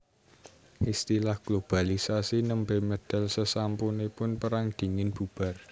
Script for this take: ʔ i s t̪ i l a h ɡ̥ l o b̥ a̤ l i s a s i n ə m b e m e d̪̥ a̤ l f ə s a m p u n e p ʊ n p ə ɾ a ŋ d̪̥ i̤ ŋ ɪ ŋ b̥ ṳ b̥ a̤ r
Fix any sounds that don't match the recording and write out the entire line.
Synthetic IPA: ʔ i s t̪ i l a h ɡ̥ l o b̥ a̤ l i s a s i n ə m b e m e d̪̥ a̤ l s ə s a m p u n e p ʊ n p ə ɾ a ŋ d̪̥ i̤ ŋ ɪ n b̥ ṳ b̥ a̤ r